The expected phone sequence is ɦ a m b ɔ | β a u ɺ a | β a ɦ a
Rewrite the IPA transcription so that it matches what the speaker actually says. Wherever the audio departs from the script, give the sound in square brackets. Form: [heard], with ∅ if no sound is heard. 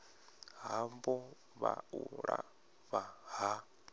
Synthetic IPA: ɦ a m b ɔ | β a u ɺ a | β a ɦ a